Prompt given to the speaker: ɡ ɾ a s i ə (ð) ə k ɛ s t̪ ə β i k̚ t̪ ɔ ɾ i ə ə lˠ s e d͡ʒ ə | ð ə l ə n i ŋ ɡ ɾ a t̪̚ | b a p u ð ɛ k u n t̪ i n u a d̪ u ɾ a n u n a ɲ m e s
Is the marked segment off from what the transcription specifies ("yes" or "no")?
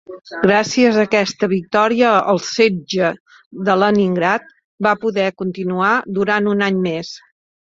yes